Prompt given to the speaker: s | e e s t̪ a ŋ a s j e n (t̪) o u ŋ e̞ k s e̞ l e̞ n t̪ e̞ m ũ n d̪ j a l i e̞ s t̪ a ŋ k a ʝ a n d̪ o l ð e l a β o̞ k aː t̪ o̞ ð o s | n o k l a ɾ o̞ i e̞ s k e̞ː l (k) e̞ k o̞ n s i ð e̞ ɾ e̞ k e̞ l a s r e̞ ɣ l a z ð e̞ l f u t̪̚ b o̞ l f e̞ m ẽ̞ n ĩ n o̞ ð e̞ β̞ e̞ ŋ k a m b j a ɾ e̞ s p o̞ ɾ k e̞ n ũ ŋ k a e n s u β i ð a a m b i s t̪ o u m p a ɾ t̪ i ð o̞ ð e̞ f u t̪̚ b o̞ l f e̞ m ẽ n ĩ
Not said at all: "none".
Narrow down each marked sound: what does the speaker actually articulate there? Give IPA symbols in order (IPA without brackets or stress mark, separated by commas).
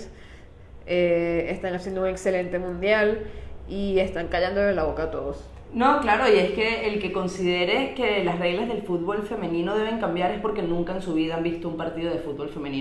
d̪, k